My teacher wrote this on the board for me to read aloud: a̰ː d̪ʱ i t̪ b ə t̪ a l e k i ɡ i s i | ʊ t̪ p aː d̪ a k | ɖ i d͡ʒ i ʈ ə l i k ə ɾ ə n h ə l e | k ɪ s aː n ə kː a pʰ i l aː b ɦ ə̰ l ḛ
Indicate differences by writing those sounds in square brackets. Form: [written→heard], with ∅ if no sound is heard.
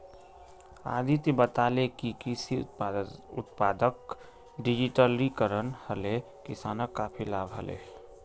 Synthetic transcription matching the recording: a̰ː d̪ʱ i t̪ b ə t̪ a l e k i [ɡ→k] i s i | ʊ t̪ p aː d̪ [a→ə] k | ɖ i d͡ʒ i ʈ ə l i k ə ɾ ə n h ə l e | k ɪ s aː n ə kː a pʰ i l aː b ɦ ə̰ l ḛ